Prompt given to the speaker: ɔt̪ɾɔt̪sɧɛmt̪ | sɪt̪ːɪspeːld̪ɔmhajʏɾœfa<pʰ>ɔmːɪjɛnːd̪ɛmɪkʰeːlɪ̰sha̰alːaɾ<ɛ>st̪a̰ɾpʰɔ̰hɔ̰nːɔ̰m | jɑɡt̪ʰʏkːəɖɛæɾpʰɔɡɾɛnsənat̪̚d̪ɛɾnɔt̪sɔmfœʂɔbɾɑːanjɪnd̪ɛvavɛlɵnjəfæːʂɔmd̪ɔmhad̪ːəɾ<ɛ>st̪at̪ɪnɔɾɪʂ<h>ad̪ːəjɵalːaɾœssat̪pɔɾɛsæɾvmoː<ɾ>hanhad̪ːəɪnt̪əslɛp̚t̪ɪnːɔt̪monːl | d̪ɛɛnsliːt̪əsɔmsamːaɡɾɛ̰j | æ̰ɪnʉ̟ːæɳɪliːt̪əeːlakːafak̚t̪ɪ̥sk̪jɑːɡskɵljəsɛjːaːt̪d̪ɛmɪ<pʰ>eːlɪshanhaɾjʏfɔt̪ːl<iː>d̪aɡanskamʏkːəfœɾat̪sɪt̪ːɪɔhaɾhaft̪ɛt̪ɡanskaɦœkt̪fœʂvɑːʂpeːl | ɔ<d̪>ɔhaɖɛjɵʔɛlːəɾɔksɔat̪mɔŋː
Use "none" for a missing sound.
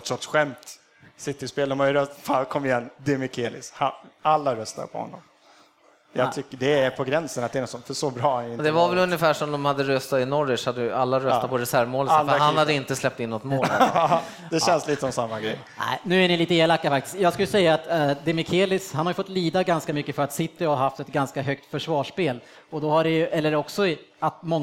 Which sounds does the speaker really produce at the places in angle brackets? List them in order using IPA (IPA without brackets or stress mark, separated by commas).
kʰ, œ, œ, h, l, kʰ, iː, d̪